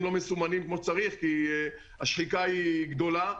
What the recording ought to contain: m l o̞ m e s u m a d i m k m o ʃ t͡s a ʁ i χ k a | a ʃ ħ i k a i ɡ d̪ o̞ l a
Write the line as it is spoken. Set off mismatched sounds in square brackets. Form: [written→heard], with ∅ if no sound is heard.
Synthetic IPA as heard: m l o̞ m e s u m a [d→n] i m k m o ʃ t͡s a ʁ i χ k [a→i] | a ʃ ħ i k a i ɡ d̪ o̞ l a